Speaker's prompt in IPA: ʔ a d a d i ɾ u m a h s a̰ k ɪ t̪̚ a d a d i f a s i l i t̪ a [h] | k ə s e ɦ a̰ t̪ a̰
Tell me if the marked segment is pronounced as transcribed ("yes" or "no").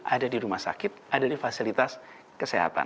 no